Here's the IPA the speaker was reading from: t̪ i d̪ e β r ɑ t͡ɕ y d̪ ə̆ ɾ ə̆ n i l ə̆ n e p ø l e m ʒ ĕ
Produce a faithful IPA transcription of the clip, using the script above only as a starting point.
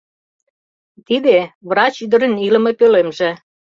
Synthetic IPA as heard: t̪ i d̪ e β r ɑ t͡ɕ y d̪ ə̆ ɾ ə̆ n i l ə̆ m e p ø l e m ʒ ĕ